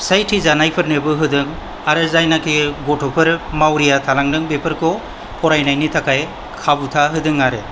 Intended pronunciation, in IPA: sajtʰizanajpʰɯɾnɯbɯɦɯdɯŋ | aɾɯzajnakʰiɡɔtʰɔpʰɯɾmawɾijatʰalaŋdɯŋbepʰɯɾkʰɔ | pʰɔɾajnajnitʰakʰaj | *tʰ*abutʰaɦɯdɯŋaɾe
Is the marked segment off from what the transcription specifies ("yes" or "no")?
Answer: yes